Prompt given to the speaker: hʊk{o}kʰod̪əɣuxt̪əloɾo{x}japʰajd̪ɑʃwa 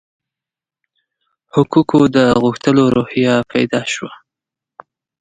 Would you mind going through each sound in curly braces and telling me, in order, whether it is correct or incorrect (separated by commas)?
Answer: incorrect, incorrect